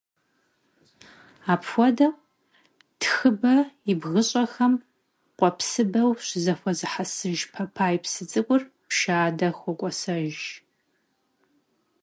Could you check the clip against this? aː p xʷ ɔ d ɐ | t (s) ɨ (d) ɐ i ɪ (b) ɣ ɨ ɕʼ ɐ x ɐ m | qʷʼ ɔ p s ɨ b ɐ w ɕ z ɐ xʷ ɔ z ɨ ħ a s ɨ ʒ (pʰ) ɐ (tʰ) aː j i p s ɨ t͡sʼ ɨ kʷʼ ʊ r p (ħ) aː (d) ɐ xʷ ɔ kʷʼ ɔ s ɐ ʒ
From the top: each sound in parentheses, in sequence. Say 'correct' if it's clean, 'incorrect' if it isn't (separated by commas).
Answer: incorrect, incorrect, correct, correct, incorrect, incorrect, correct